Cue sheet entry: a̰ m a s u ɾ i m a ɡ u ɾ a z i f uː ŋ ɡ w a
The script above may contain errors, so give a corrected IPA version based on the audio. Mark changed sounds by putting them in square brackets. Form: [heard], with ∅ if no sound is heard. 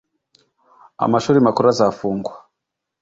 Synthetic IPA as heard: a̰ m a [ʃ] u ɾ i m a [k] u ɾ a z [a] f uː ŋ ɡ w a